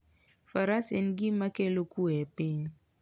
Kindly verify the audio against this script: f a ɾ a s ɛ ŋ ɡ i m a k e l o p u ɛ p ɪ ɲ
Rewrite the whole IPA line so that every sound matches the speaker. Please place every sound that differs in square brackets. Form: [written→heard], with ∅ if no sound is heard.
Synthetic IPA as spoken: f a ɾ a s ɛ [ŋ→n] ɡ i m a k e l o [p→k] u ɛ p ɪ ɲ